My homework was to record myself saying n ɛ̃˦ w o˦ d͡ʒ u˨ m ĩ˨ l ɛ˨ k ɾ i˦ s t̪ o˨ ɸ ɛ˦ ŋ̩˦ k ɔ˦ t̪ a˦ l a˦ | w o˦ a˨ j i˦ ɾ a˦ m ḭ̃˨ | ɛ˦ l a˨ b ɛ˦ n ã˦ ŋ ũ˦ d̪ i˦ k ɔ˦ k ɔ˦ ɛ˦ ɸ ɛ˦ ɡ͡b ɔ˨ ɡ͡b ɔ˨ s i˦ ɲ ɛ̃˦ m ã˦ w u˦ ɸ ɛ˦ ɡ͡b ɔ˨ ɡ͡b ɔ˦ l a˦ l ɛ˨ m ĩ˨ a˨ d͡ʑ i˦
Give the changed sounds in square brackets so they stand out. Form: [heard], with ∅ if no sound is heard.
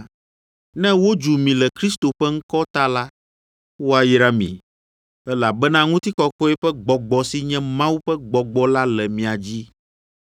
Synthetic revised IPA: n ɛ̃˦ w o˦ d͡ʒ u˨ m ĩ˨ l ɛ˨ k ɾ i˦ s t̪ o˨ ɸ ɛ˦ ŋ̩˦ k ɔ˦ t̪ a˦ l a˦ | w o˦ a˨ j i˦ ɾ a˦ m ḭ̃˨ | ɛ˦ l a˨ b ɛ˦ n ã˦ ŋ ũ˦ [t̪] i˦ k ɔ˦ k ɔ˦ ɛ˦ ɸ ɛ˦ ɡ͡b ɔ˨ ɡ͡b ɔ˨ s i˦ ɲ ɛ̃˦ m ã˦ w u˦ ɸ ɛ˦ ɡ͡b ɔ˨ ɡ͡b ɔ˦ l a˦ l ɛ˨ m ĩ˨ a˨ d͡ʑ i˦